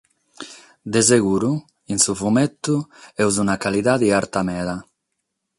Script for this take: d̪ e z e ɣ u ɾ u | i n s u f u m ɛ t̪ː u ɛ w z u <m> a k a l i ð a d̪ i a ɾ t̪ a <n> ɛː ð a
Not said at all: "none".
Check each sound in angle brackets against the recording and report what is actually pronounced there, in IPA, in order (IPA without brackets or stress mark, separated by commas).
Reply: n, m